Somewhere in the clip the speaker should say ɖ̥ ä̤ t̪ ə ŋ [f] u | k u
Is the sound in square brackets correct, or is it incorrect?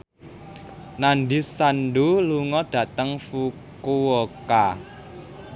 correct